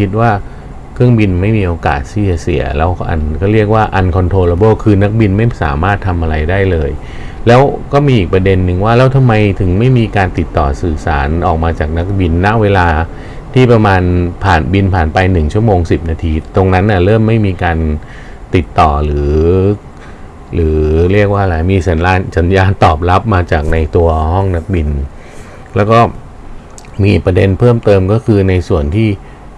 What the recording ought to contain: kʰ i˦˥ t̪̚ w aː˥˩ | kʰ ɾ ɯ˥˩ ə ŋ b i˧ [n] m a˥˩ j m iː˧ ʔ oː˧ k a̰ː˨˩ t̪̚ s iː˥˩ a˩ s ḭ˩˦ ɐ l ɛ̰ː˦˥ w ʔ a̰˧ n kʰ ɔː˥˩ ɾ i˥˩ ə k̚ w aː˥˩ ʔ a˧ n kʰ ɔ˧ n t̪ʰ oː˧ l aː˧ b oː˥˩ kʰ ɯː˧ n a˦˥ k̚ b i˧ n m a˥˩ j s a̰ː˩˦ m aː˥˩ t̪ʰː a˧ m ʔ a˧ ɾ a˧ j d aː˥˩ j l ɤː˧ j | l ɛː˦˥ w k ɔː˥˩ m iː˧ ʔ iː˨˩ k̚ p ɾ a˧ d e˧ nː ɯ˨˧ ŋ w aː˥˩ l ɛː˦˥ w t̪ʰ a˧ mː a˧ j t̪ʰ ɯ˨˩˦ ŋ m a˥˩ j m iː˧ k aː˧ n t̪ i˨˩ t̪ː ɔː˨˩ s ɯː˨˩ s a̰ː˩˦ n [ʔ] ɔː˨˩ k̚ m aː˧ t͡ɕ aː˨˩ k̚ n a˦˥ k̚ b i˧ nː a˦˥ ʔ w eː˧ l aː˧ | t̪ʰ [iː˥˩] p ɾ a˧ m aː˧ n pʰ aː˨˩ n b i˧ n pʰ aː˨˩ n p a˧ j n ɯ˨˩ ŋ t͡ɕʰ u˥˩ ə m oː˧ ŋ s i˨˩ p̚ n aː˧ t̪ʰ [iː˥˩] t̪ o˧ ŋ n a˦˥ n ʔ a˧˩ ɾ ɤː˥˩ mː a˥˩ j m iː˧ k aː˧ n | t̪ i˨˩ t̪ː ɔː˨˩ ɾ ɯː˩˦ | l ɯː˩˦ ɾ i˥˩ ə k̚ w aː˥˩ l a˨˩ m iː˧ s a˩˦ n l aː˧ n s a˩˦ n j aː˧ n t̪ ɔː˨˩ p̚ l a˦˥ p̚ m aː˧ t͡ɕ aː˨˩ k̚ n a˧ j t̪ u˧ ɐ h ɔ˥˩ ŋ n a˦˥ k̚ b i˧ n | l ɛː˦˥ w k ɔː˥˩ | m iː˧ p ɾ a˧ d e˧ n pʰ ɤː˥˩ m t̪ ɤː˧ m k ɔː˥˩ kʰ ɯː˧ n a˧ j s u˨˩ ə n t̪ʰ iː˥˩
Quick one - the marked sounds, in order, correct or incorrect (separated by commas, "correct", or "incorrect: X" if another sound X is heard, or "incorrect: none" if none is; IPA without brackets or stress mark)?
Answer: correct, correct, correct, incorrect: iː˧˩